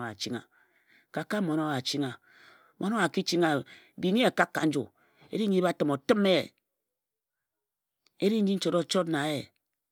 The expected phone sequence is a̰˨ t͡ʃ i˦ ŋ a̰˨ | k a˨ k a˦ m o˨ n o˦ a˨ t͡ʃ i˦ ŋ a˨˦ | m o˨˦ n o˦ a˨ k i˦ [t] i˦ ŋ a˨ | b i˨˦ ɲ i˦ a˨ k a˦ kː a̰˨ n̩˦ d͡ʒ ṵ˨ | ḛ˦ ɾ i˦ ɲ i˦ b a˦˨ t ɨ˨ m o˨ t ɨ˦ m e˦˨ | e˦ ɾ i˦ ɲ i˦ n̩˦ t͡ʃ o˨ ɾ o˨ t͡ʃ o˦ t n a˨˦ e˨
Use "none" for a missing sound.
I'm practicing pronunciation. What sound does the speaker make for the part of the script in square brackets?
t͡ʃ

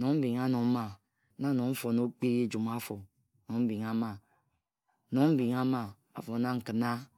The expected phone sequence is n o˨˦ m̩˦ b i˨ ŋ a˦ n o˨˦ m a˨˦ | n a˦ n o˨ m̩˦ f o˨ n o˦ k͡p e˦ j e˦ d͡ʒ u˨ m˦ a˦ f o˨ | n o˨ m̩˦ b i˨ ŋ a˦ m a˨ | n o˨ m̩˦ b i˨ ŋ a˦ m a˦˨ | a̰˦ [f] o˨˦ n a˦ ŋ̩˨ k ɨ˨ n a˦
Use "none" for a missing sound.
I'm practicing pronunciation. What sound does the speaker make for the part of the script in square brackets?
f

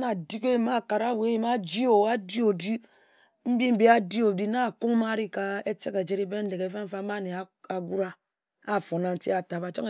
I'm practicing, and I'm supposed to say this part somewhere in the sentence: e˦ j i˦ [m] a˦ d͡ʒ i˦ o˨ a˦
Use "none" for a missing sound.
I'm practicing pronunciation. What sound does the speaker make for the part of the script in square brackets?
m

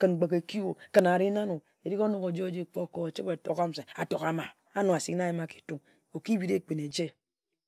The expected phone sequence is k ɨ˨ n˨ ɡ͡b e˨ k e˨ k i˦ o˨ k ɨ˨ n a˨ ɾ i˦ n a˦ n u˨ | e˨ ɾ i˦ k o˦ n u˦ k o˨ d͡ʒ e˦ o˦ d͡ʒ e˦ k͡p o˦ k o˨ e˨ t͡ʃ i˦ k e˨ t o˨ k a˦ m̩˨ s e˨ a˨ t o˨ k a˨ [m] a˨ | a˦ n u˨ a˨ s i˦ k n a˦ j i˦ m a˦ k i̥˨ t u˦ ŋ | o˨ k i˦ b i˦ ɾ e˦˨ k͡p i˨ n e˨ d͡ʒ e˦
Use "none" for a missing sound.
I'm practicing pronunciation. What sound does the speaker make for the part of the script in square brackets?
m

